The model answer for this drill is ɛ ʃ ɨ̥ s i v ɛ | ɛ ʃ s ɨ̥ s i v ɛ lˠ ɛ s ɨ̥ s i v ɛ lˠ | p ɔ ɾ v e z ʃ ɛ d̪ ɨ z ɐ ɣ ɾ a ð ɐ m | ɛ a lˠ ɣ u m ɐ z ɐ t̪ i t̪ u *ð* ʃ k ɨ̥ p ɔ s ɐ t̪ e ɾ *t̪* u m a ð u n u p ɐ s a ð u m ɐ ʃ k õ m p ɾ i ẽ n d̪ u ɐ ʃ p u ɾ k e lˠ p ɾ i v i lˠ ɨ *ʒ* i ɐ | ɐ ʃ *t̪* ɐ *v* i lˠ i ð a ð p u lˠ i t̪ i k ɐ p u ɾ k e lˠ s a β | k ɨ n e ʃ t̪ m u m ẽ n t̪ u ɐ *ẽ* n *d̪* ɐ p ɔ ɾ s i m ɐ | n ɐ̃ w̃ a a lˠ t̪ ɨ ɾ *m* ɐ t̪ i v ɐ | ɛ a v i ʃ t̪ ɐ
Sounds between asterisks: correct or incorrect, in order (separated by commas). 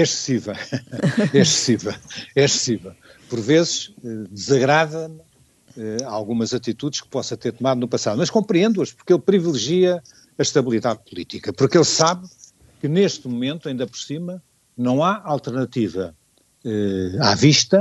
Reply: correct, correct, correct, correct, incorrect, incorrect, correct, incorrect